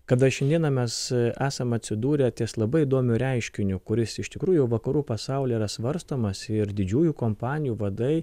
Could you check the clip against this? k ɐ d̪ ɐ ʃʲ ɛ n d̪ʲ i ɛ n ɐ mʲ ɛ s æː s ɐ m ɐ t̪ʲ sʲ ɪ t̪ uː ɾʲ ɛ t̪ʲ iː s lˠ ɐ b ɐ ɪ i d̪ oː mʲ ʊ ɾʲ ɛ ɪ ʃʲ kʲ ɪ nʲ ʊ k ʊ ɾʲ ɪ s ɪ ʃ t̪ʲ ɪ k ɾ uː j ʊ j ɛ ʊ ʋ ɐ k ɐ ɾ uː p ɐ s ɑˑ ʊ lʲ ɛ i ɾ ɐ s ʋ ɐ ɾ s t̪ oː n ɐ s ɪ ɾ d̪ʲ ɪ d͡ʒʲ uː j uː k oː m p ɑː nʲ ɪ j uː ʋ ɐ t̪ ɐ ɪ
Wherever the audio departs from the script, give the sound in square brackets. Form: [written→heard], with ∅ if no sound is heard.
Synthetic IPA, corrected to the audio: k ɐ d̪ ɐ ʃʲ ɛ n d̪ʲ i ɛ n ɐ mʲ ɛ s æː s ɐ m ɐ t̪ʲ sʲ ɪ [t̪→d̪] uː ɾʲ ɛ t̪ʲ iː s lˠ ɐ b ɐ ɪ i d̪ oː mʲ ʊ ɾʲ ɛ ɪ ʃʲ kʲ ɪ nʲ ʊ k ʊ ɾʲ ɪ s ɪ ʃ t̪ʲ ɪ k ɾ uː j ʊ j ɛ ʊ ʋ ɐ k ɐ ɾ uː p ɐ s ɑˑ ʊ lʲ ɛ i ɾ ɐ s ʋ ɐ ɾ s t̪ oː [n→m] ɐ s ɪ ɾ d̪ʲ ɪ d͡ʒʲ uː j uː k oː m p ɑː nʲ ɪ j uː ʋ ɐ [t̪→d̪] ɐ ɪ